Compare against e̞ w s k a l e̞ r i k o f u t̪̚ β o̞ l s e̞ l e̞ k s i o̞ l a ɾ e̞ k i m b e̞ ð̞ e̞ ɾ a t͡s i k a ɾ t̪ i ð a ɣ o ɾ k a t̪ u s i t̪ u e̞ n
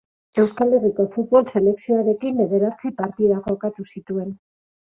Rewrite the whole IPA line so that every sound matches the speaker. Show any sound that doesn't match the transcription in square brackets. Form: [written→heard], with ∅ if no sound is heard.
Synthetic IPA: e̞ w s k a l e̞ r i k o f u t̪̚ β o̞ l s e̞ l e̞ k s i o̞ [l→∅] a ɾ e̞ k i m b e̞ ð̞ e̞ ɾ a t͡s i [k→p] a ɾ t̪ i ð a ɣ o [ɾ→∅] k a t̪ u s i t̪ u e̞ n

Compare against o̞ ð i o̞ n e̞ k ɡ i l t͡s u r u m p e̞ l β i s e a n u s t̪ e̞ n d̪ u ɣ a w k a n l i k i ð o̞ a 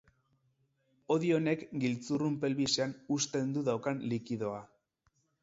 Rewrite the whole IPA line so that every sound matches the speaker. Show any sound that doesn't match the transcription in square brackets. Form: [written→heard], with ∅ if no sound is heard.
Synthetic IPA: o̞ ð i o̞ n e̞ k ɡ i l t͡s u r u m p e̞ l β i s e a n u s t̪ e̞ n d̪ u [ɣ→ð] a w k a n l i k i ð o̞ a

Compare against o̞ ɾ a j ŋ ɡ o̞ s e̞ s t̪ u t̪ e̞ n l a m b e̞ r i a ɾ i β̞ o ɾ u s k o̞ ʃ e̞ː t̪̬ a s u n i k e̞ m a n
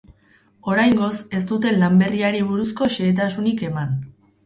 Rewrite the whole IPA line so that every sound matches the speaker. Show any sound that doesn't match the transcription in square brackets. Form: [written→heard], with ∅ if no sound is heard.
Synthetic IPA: o̞ ɾ a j ŋ ɡ o̞ s e̞ s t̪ u t̪ e̞ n l a m b e̞ r i a ɾ i β̞ [o→u] ɾ u s k o̞ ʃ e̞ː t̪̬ a s u n i k e̞ m a n

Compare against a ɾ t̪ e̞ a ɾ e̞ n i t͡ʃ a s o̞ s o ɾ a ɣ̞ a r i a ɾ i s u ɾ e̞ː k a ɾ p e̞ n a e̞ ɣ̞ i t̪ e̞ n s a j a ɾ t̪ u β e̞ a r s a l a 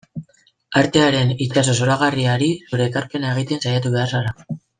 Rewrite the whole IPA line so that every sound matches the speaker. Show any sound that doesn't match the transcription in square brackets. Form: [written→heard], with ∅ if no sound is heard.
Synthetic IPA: a ɾ t̪ e̞ a ɾ e̞ n i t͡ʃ a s o̞ s o ɾ a ɣ̞ a r i a ɾ i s u ɾ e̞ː k a ɾ p e̞ n a e̞ ɣ̞ i t̪ e̞ n s a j a [ɾ→∅] t̪ u β e̞ a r s a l a

